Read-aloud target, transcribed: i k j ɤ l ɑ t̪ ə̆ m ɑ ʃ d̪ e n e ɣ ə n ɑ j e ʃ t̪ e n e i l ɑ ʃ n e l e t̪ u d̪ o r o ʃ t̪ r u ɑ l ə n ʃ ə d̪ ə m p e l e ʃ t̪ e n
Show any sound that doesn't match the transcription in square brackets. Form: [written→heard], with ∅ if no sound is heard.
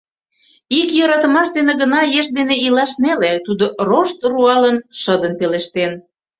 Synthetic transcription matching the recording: i k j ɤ [l→ɾ] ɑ t̪ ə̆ m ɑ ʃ d̪ e n e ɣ ə n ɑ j e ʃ [t̪→d̪] e n e i l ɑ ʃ n e l e t̪ u d̪ o r o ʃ t̪ r u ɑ l ə n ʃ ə d̪ ə [m→n] p e l e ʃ t̪ e n